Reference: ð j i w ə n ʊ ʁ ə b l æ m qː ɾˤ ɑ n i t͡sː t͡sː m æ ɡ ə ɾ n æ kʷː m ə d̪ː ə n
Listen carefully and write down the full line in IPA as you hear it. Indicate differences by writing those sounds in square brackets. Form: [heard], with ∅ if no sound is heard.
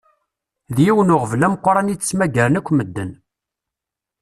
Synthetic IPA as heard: ð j i w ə n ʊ ʁ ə [v] l æ m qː ɾˤ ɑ n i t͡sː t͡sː m æ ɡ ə ɾ n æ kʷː m ə d̪ː ə n